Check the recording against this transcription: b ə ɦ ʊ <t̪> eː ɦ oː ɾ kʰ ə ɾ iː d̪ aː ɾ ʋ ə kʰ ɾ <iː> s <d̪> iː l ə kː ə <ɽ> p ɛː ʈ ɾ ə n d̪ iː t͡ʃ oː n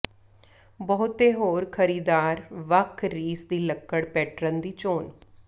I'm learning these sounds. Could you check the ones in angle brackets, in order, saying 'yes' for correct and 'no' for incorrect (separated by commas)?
yes, yes, yes, yes